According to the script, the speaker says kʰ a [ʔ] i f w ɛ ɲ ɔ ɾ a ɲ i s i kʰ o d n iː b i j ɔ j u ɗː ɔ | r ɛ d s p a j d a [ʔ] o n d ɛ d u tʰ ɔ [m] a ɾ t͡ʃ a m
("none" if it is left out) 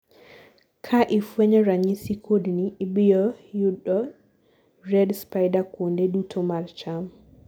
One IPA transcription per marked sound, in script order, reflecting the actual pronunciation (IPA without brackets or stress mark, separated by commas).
ʔ, k, m